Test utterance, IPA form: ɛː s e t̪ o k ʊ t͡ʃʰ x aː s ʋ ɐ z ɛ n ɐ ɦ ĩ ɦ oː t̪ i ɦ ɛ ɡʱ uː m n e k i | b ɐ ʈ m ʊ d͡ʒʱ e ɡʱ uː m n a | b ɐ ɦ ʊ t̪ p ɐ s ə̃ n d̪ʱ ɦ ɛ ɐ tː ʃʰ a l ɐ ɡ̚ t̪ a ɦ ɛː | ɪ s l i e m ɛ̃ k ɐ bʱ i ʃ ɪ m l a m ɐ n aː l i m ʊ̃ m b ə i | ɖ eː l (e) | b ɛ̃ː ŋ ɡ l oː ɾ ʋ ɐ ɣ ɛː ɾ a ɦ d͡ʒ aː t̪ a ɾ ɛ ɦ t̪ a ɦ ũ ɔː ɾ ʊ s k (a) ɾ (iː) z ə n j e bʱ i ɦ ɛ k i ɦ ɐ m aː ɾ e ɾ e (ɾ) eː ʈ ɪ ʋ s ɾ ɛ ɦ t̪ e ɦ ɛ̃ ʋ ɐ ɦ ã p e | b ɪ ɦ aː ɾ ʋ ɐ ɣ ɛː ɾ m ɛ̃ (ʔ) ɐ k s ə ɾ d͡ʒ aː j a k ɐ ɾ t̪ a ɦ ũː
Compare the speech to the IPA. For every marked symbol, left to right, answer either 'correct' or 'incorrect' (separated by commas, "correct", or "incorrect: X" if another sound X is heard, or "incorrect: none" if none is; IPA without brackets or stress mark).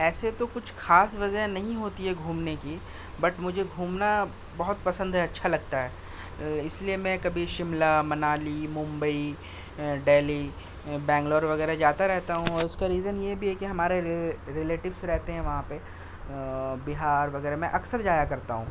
incorrect: i, correct, correct, incorrect: l, correct